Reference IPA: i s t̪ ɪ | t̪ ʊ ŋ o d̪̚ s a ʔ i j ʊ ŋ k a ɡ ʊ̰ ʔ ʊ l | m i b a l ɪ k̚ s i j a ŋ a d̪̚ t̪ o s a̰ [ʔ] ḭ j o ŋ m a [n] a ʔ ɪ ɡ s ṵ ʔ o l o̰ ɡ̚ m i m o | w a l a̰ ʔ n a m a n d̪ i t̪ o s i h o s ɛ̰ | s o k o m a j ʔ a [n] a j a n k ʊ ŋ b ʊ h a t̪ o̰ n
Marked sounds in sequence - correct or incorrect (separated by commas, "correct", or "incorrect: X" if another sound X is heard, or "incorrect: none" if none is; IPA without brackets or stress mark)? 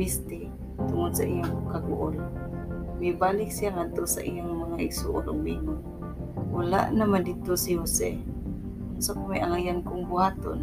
correct, incorrect: ŋ, incorrect: ŋ